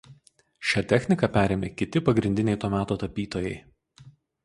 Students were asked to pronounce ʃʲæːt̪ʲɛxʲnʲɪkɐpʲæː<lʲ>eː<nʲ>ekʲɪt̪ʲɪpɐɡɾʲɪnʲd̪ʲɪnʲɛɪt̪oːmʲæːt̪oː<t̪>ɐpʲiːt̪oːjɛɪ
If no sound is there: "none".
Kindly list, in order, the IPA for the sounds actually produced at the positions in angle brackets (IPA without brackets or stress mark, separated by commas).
ɾʲ, mʲ, t̪